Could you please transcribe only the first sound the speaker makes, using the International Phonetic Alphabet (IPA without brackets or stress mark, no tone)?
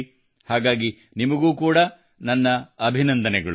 h